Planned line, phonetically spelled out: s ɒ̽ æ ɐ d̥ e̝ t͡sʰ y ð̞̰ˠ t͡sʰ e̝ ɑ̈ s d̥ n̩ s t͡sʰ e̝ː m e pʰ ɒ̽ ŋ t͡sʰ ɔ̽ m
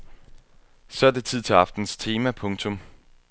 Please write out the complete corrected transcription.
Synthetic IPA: s ɒ̽ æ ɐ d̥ e̝ t͡sʰ i ð̞̰ˠ t͡sʰ e̝ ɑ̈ f d̥ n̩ s t͡sʰ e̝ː m æ pʰ ɔ̽ ŋ t͡sʰ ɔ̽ m

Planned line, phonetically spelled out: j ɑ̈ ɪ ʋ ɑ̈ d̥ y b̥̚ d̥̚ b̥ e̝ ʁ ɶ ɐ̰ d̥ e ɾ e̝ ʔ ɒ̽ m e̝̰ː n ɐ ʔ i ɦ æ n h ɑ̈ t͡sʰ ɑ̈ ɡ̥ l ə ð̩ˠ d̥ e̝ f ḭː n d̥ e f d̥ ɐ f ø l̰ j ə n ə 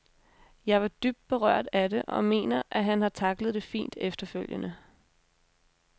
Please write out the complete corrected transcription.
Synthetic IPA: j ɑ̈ ɪ ʋ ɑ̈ d̥ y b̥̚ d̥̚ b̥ e̝ ʁ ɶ ɐ̰ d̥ æ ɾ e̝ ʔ ɒ̽ m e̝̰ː n ɐ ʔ æ ɦ æ n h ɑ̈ t͡sʰ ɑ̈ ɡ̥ l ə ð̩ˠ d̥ e̝ f ḭː n d̥ e f d̥ ɐ f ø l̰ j ə n ə

